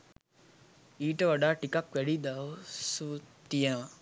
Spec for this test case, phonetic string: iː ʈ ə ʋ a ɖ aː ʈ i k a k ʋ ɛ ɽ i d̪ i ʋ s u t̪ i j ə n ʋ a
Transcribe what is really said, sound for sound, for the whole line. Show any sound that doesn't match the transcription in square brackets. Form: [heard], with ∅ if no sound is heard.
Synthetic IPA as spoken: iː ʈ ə ʋ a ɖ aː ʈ i k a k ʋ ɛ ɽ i d̪ [a] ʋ s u t̪ i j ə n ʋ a